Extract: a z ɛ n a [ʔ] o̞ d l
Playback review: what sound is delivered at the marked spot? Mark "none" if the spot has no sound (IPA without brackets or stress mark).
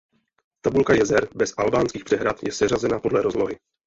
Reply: p